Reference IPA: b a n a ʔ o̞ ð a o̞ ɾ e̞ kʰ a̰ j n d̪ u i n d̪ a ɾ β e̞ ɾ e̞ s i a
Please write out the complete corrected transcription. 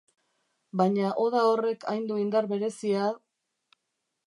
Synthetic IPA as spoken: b a ɲ a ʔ o̞ ð a o̞ r e̞ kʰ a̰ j n d̪ u i n d̪ a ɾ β e̞ ɾ e̞ s i a

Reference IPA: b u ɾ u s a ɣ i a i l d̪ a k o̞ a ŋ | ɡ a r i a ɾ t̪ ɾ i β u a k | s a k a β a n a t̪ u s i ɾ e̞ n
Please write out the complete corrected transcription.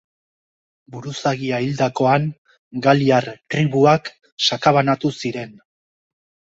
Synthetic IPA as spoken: b u ɾ u s a ɣ i a i l d̪ a k o̞ a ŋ | ɡ a l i a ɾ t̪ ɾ i β u a k | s a k a β a n a t̪ u s i ɾ e̞ n

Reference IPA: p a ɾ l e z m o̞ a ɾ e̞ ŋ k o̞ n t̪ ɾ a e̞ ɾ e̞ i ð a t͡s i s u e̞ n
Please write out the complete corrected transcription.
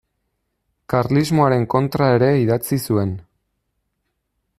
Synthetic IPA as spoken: k a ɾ l i z m o̞ a ɾ e̞ ŋ k o̞ n t̪ ɾ a e̞ ɾ e̞ i ð a t͡s i s u e̞ n

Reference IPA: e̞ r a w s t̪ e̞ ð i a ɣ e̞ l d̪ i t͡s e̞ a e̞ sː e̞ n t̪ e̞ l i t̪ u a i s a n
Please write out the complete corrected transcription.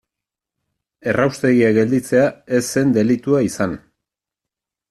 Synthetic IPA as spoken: e̞ r a w s t̪ e̞ ɣ i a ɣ e̞ l d̪ i t͡s e̞ a e̞ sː e̞ n d̪ e̞ l i t̪ u a i s a n

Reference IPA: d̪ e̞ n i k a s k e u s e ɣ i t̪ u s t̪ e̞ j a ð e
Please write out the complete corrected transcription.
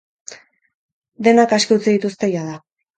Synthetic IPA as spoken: d̪ e̞ n a k a s k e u t͡s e ð i t̪ u s t̪ e̞ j a ð a

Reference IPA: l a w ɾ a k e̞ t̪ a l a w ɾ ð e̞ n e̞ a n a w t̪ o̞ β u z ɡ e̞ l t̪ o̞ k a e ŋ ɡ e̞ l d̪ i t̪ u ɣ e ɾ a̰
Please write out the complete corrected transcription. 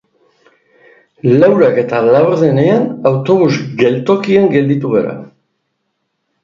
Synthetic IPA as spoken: l a w ɾ a k e̞ t̪ a l a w ɾ ð e̞ n e̞ a n a w t̪ o̞ β u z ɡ e̞ l t̪ o̞ k i e ŋ ɡ e̞ l d̪ i t̪ u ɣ e ɾ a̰

